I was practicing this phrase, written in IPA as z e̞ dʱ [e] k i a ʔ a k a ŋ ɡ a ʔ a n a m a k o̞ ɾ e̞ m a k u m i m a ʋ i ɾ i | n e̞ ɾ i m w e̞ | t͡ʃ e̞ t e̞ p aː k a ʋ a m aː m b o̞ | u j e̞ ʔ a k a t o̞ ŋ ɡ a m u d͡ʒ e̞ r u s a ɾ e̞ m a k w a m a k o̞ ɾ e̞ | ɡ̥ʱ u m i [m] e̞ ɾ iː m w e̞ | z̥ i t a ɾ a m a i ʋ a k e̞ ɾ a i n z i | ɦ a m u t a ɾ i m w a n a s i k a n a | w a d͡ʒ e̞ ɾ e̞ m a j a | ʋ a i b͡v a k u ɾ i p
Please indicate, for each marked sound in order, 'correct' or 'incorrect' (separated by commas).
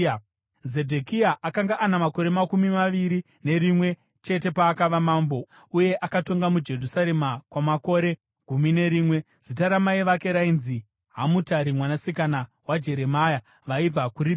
correct, incorrect